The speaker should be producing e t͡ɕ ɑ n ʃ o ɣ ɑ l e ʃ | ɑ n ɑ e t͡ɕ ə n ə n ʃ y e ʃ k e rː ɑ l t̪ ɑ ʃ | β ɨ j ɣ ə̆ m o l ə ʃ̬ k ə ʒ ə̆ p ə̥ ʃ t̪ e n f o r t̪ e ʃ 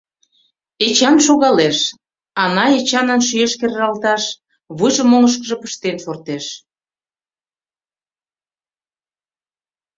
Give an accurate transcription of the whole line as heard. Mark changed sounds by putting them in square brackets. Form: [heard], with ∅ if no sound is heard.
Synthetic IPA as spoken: e t͡ɕ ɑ n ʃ o ɣ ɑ l e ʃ | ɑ n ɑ e t͡ɕ [ɑ] n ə n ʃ y e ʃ k e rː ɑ l t̪ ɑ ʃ | β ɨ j [ʒ] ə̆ m o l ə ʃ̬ k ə ʒ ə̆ p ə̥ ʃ t̪ e n f o r t̪ e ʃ